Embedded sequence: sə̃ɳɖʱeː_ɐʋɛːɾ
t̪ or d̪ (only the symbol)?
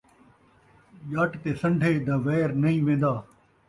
d̪